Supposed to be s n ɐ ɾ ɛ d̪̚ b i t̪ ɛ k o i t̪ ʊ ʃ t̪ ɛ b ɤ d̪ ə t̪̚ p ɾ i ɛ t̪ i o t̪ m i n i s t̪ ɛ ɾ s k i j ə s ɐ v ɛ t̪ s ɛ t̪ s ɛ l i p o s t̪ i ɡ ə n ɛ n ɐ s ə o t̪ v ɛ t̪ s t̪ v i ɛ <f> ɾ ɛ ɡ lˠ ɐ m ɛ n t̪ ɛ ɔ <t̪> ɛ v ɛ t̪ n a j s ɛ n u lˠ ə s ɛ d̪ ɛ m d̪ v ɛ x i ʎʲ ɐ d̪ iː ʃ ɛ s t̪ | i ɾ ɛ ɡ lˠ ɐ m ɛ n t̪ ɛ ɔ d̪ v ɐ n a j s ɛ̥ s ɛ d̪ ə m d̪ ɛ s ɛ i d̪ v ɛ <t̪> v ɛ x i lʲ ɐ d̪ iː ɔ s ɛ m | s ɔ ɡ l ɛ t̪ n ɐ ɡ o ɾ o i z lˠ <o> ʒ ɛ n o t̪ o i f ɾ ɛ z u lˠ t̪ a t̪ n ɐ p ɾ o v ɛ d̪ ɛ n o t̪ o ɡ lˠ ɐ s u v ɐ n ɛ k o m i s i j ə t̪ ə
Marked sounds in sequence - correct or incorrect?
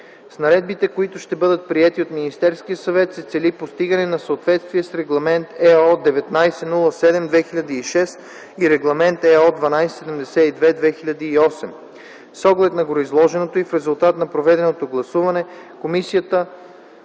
incorrect, incorrect, incorrect, incorrect

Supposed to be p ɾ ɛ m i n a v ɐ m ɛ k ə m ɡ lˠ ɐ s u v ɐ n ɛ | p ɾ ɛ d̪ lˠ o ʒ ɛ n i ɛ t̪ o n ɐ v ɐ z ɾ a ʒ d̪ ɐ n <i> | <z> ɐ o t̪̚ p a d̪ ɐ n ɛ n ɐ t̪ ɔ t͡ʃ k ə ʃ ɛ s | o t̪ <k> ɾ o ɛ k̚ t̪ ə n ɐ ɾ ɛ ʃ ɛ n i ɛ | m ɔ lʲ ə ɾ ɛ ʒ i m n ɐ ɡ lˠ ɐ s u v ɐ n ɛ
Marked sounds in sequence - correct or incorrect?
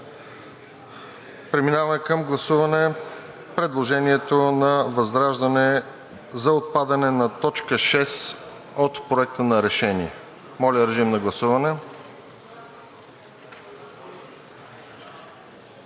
incorrect, correct, incorrect

